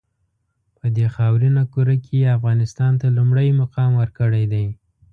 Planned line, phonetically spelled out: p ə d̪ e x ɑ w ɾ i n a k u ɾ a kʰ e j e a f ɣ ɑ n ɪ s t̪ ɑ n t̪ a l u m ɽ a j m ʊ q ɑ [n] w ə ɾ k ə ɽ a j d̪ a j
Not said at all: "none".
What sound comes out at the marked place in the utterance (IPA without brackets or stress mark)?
m